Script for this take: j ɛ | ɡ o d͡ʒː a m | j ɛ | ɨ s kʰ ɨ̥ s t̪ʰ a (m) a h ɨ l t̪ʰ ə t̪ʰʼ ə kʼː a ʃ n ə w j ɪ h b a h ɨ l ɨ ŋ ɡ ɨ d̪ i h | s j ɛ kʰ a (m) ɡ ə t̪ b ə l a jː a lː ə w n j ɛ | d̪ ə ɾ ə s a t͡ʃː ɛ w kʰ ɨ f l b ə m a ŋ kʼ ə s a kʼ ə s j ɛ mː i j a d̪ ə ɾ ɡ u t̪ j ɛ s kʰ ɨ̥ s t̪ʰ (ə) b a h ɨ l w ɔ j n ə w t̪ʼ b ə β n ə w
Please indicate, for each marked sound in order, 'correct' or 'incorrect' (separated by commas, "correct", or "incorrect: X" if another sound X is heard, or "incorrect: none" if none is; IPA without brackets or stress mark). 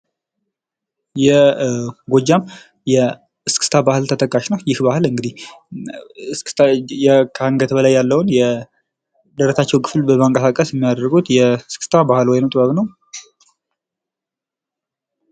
incorrect: b, incorrect: ŋ, incorrect: a